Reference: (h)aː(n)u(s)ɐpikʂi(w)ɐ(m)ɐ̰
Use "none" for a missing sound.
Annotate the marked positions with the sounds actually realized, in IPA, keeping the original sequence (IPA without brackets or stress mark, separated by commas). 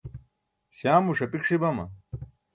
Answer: ɕ, m, ʂ, b, m